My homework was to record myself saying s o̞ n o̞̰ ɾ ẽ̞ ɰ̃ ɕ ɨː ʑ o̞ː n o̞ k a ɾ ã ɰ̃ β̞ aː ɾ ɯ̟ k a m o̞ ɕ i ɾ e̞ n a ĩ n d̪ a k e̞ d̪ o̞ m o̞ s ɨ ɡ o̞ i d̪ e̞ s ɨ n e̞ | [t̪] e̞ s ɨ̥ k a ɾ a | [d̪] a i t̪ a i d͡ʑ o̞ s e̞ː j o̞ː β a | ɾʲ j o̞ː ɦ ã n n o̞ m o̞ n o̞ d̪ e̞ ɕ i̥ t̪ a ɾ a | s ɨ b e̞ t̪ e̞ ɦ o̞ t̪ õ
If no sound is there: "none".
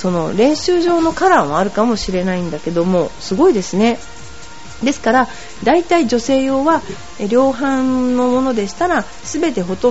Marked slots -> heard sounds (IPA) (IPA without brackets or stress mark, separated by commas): d̪, d̪